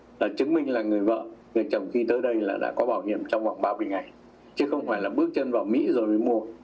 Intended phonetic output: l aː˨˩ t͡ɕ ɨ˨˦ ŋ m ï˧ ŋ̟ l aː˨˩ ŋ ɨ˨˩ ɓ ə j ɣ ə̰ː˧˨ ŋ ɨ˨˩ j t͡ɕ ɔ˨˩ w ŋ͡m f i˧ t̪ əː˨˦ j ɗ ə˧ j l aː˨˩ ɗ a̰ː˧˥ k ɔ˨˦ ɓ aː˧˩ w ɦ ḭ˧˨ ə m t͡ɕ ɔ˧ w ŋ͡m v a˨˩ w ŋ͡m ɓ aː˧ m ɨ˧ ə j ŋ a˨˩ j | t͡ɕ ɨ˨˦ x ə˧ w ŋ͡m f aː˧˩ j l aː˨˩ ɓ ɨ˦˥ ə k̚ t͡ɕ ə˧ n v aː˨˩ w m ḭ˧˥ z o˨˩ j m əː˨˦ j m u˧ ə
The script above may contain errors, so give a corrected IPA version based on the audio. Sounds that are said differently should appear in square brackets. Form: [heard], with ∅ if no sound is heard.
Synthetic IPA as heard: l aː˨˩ t͡ɕ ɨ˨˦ ŋ m ï˧ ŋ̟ l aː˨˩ ŋ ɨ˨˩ [∅] ə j [v] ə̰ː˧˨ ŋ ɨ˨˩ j t͡ɕ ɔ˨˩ w ŋ͡m [x] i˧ t̪ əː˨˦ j ɗ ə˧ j l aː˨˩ ɗ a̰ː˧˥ k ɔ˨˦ ɓ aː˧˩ w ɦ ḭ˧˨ ə m t͡ɕ ɔ˧ w ŋ͡m v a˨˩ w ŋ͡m ɓ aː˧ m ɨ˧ ə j ŋ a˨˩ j | t͡ɕ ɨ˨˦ x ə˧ w ŋ͡m f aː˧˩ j l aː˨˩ ɓ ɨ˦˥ ə k̚ t͡ɕ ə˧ n v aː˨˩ w m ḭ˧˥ z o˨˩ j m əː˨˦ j m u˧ ə

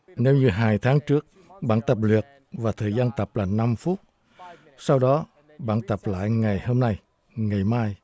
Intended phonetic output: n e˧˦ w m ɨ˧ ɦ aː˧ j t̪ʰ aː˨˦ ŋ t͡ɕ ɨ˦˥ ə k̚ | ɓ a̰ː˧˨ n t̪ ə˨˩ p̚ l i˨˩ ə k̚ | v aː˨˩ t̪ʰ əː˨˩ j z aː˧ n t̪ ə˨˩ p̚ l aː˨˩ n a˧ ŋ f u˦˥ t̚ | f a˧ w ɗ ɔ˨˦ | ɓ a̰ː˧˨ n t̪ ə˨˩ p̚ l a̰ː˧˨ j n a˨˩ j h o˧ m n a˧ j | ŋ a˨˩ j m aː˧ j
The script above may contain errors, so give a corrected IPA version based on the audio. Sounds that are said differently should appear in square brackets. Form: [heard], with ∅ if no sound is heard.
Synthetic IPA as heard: n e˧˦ w [ɲ] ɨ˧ ɦ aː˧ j t̪ʰ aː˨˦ ŋ t͡ɕ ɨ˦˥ ə k̚ | ɓ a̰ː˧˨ n t̪ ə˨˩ p̚ l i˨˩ ə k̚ | v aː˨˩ t̪ʰ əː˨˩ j z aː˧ n t̪ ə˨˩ p̚ l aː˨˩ n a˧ [m] f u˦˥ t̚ | [s] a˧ w ɗ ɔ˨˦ | ɓ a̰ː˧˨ n t̪ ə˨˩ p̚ l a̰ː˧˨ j [ŋ] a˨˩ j h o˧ m n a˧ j | ŋ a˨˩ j m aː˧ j

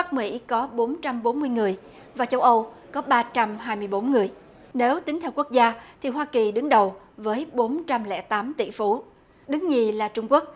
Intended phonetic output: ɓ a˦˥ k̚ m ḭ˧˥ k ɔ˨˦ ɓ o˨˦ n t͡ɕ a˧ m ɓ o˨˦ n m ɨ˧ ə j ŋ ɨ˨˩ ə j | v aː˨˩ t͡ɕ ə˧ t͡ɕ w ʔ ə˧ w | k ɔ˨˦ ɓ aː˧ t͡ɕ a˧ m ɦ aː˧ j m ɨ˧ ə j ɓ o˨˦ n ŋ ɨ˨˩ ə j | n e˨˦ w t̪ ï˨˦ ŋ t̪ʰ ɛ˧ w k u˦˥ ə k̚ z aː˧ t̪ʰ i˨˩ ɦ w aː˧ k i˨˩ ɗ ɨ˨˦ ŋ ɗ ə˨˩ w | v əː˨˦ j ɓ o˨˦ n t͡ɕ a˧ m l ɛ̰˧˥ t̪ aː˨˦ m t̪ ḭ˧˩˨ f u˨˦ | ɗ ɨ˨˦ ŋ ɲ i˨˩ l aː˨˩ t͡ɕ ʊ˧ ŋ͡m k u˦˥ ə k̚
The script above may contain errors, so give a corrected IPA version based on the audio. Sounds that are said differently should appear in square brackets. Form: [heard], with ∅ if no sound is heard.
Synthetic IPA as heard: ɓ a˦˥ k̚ m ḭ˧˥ k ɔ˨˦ ɓ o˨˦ n t͡ɕ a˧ m ɓ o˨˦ n m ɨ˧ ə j ŋ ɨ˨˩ ə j | v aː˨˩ t͡ɕ ə˧ [∅] w ʔ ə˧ w | k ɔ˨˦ ɓ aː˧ t͡ɕ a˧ m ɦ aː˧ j m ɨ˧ ə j ɓ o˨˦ n ŋ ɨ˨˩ ə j | n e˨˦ w t̪ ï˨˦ ŋ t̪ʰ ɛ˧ w k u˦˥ ə k̚ z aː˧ t̪ʰ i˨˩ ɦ w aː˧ k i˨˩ ɗ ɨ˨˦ ŋ ɗ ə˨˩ w | v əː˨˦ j ɓ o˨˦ n t͡ɕ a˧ m l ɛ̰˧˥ t̪ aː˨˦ m t̪ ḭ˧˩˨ f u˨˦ | ɗ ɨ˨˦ ŋ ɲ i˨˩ l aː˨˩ t͡ɕ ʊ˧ ŋ͡m k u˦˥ ə k̚

